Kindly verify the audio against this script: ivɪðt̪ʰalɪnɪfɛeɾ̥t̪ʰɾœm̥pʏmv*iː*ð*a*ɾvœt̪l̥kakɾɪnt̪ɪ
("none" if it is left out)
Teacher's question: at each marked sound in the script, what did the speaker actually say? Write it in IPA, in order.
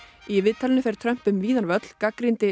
iː, a

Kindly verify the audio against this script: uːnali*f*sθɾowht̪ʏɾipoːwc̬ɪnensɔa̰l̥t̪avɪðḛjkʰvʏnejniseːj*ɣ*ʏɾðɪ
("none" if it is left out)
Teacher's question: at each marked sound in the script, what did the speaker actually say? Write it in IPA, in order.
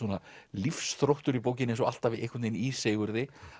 f, ɣ

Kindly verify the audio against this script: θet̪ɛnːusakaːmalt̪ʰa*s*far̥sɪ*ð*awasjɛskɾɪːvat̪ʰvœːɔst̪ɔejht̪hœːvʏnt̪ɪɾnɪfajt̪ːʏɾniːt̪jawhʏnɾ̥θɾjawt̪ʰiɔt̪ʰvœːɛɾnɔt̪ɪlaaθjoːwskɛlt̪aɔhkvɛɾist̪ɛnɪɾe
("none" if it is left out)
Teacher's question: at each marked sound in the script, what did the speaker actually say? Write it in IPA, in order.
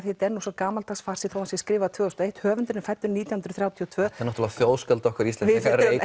s, θ

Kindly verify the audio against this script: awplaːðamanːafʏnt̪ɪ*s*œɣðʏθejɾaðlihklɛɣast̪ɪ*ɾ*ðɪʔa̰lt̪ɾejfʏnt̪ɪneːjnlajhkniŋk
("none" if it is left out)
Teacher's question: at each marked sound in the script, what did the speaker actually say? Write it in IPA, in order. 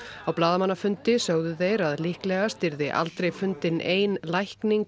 s, ɾ

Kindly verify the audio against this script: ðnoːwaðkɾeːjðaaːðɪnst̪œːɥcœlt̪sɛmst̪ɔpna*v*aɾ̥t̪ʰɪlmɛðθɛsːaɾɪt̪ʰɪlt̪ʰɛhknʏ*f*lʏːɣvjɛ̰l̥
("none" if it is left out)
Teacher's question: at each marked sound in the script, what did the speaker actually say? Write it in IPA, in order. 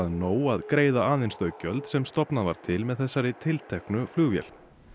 v, f

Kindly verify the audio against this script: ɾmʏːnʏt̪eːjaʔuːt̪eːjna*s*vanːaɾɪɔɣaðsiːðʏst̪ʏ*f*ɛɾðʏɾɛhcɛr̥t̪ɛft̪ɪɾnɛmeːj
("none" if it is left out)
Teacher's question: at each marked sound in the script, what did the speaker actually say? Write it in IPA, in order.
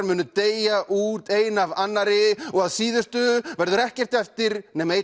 none, v

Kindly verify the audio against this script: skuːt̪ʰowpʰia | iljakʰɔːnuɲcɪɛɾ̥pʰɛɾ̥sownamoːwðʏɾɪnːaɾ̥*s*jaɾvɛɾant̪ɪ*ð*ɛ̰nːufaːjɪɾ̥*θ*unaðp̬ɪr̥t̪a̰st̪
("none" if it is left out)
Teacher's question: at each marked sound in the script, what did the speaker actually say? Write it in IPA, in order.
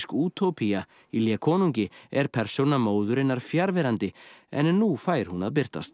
f, none, h

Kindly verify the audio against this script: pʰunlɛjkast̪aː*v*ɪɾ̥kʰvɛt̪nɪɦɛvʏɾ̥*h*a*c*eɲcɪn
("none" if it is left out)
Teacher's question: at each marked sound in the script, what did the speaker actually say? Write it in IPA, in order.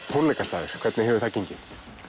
ð, θ, c

